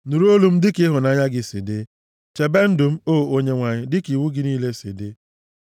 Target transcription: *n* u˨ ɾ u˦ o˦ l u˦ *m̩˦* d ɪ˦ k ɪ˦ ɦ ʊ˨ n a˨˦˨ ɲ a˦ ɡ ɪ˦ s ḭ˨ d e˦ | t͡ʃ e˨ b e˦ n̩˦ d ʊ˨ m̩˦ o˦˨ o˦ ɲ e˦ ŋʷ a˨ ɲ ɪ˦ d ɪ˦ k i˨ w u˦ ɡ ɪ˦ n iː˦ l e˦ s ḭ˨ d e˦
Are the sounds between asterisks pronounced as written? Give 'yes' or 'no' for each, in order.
yes, yes

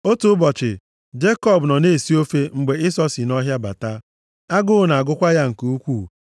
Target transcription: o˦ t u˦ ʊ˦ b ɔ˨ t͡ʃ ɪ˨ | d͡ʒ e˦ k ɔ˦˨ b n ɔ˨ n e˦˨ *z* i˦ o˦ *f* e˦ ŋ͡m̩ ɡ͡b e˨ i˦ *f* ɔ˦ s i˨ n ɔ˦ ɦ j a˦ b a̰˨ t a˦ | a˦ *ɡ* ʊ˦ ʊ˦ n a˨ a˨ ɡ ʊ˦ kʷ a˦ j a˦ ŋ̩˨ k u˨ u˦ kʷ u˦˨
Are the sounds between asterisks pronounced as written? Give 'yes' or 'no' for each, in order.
no, yes, no, yes

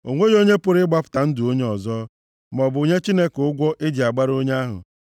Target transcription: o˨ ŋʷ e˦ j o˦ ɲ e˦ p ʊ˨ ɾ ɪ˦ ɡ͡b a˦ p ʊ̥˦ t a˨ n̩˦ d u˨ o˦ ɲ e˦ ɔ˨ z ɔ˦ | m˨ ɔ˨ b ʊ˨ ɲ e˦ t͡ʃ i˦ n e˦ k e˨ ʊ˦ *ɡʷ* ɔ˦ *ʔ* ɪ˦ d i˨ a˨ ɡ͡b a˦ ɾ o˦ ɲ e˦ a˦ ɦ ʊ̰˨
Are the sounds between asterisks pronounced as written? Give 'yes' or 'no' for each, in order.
yes, yes

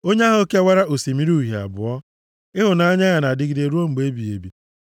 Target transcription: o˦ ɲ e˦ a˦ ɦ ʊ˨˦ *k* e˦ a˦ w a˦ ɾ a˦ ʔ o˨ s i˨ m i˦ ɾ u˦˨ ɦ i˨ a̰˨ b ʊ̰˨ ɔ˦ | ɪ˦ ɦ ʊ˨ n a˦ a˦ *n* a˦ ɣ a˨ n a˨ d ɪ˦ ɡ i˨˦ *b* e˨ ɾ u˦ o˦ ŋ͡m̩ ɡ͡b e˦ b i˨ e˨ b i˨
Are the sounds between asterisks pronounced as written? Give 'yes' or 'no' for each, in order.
yes, no, no

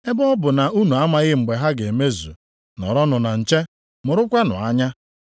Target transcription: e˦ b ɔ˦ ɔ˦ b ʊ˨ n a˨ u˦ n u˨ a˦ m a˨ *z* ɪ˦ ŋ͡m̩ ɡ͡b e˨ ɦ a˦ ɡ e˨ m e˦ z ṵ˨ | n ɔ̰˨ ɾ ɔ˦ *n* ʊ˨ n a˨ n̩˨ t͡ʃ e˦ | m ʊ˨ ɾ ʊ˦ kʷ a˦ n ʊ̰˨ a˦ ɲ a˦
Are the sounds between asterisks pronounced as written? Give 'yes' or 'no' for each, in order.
no, yes

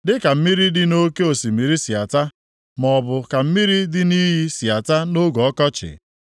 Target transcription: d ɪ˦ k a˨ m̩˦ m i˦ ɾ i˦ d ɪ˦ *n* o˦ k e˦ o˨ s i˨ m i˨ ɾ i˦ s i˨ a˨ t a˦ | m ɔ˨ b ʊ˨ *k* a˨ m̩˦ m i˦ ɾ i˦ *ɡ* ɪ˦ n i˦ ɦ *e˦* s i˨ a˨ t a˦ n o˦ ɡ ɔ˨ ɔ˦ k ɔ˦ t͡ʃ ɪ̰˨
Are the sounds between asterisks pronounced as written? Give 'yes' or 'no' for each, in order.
yes, yes, no, no

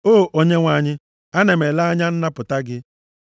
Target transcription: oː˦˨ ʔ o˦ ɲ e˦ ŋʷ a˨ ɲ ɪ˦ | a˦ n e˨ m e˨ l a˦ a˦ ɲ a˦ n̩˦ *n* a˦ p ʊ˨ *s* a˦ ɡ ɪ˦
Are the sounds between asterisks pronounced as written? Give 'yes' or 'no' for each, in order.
yes, no

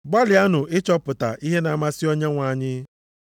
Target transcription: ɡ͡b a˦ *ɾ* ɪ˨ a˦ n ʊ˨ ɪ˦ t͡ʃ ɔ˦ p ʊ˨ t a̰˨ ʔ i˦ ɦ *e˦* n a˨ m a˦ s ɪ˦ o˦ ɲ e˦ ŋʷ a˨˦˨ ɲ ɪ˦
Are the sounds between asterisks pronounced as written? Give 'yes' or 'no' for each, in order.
no, yes

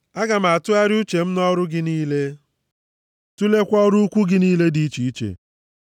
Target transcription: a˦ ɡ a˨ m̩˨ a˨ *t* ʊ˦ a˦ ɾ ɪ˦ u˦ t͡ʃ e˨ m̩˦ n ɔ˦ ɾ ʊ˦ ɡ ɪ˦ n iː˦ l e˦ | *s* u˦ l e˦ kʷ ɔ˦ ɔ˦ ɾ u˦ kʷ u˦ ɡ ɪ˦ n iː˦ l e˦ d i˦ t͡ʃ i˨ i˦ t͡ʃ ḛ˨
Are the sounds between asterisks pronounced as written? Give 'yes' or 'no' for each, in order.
yes, no

